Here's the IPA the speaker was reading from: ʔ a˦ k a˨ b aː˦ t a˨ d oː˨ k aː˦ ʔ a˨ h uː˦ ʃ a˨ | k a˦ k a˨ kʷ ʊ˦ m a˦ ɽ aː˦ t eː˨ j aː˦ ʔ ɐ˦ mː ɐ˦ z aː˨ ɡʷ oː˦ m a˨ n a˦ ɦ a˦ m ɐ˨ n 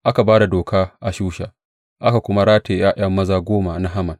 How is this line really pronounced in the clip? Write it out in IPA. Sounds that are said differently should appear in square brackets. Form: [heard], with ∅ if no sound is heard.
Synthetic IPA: ʔ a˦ k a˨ b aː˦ [d] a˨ d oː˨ k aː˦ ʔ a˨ [ʃ] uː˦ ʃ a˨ | [ʔ] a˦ k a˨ kʷ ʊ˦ m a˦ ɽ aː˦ t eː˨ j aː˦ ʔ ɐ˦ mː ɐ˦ z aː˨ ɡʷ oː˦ m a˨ n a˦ ɦ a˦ m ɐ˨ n

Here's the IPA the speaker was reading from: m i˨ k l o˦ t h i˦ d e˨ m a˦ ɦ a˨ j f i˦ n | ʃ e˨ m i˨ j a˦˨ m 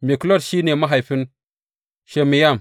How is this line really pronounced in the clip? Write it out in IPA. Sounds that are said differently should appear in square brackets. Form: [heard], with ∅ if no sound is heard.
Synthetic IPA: m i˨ k l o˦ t [ʃ] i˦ [n] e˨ m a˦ ɦ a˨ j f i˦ n | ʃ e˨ m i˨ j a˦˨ m

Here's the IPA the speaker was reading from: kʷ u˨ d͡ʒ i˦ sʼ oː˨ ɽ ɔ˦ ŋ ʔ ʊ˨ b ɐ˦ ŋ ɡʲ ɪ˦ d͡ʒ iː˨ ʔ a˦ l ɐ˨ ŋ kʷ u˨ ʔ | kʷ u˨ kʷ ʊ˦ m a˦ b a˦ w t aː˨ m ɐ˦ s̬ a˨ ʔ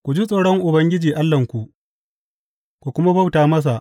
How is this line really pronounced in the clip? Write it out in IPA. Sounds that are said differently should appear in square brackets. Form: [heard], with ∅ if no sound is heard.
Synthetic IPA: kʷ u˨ d͡ʒ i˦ sʼ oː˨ ɽ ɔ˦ ŋ ʔ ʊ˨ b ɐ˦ ŋ ɡʲ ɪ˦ d͡ʒ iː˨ ʔ a˦ [lː] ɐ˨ ŋ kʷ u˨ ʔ | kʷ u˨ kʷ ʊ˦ m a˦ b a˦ w t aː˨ m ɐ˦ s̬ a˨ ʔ

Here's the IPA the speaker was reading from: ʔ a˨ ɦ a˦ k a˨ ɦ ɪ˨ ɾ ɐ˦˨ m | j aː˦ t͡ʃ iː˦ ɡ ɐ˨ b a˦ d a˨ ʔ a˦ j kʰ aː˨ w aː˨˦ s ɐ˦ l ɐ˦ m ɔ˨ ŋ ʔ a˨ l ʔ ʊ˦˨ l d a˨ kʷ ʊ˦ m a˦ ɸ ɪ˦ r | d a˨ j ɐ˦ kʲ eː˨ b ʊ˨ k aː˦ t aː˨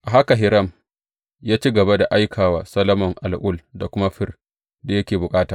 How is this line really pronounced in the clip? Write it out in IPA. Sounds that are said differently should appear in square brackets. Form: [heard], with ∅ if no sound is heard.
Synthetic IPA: ʔ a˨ ɦ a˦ k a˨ ɦ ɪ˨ ɾ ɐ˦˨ m | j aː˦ t͡ʃ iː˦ ɡ ɐ˨ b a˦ d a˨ ʔ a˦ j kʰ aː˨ w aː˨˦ s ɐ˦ l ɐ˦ m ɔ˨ ŋ ʔ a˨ l ʔ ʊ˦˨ l d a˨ kʷ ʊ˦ m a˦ ɸ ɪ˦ r | d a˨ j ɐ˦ kʲ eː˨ b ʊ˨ [kʼ] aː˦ t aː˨

